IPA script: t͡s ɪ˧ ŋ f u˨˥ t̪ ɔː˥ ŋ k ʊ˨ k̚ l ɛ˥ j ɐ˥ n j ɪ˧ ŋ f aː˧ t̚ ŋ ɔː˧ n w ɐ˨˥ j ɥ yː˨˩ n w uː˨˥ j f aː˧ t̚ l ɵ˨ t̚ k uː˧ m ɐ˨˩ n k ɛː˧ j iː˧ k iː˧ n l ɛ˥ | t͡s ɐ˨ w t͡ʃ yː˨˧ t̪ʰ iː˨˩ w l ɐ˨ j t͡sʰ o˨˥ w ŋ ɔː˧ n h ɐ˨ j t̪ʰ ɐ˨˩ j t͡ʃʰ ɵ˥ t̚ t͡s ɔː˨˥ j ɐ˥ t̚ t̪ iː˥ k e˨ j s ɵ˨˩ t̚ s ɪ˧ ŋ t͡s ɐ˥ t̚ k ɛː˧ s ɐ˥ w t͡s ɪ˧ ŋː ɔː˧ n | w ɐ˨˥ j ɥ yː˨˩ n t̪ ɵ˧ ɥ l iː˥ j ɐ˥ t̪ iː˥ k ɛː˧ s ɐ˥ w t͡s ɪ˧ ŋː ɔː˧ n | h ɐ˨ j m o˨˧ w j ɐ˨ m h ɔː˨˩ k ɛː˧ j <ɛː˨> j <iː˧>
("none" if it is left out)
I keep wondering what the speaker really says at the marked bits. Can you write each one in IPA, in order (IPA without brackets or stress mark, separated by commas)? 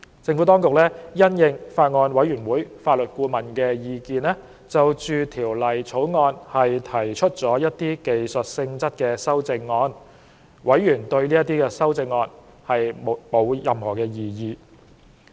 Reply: iː˨, iː˧